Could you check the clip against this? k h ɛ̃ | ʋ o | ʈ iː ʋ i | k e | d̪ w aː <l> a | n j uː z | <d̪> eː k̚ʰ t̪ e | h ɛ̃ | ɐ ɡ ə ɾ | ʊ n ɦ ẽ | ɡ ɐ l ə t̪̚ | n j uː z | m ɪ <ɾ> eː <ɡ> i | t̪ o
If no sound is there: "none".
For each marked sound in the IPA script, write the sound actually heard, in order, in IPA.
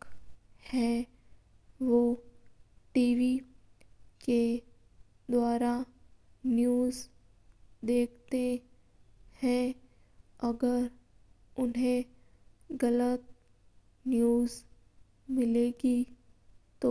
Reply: ɾ, d̪, l, ɡ

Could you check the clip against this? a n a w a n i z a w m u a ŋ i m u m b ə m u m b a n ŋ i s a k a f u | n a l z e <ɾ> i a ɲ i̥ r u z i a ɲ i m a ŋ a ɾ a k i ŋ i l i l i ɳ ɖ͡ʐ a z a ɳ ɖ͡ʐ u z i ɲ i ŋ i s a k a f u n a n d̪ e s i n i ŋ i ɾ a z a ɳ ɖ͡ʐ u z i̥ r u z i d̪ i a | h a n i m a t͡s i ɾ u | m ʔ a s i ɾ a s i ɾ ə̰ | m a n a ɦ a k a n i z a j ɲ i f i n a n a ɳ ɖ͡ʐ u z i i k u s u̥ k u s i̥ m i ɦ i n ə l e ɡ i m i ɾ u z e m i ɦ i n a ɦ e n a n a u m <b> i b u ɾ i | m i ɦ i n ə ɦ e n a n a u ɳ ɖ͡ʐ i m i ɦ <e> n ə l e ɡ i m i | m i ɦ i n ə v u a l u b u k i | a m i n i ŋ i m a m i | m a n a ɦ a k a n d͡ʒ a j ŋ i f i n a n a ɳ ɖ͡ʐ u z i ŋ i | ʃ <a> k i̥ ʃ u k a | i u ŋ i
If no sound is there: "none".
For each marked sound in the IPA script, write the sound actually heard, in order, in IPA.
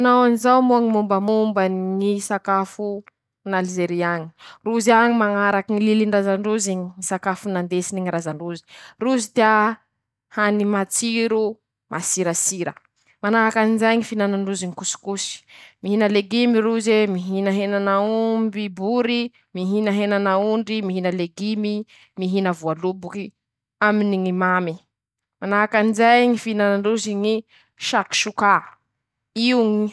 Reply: ɾ, b, i, a

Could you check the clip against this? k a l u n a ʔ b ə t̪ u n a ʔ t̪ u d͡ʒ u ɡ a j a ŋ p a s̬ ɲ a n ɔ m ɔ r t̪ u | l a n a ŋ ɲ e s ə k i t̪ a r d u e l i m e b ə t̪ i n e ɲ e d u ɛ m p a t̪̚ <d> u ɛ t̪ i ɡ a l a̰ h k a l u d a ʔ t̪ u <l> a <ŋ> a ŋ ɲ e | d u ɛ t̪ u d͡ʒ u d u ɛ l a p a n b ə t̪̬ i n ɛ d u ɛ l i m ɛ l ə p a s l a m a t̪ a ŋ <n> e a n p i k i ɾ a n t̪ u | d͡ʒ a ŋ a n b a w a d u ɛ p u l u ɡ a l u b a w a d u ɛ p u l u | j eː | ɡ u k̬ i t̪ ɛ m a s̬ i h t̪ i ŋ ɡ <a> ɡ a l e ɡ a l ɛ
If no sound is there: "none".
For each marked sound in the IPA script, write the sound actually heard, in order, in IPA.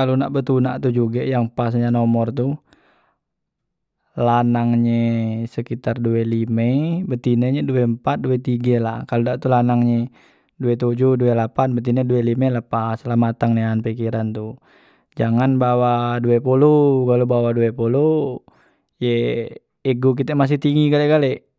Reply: d, l, n, n, i

